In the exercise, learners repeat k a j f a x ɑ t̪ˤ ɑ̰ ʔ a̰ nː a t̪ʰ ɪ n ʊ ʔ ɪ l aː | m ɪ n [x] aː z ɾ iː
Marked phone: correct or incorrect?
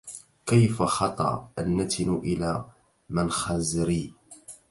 correct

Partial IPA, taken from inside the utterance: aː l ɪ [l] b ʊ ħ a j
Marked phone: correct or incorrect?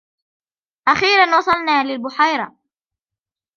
correct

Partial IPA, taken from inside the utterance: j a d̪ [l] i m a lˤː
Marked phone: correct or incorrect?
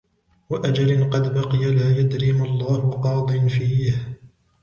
incorrect: ɾ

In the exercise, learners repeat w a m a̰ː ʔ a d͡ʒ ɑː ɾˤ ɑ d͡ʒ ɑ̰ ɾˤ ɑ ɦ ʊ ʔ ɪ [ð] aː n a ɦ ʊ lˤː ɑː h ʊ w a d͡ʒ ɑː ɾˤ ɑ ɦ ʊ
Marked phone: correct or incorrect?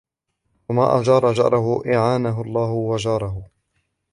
incorrect: ʕ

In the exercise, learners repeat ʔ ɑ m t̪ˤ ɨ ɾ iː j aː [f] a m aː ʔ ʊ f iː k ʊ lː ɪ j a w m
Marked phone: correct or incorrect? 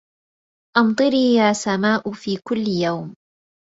incorrect: s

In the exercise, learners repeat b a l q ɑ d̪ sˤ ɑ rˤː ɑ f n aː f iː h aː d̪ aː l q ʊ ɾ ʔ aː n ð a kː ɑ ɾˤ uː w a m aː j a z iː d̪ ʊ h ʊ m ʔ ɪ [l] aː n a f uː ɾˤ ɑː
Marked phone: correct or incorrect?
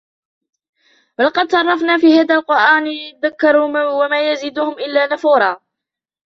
incorrect: lː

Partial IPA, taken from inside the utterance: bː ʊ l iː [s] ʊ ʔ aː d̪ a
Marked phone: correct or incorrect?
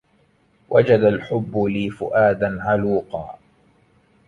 incorrect: f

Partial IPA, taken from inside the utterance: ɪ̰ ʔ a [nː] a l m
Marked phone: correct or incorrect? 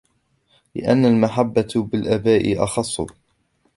correct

